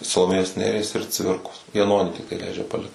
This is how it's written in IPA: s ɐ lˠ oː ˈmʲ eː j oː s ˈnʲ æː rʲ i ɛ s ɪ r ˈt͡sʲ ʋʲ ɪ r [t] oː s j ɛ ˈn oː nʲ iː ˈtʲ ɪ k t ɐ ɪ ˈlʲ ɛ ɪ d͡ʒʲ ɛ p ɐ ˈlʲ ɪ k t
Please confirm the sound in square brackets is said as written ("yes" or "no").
no